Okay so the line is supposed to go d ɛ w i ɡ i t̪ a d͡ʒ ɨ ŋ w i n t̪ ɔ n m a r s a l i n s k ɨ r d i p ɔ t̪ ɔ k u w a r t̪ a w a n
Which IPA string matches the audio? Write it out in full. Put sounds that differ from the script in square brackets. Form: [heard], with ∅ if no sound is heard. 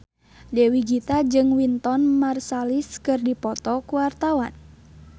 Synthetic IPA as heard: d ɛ w i ɡ i t̪ a d͡ʒ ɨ ŋ w i n t̪ ɔ n m a r s a l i [∅] s k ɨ r d i p ɔ t̪ ɔ k u w a r t̪ a w a n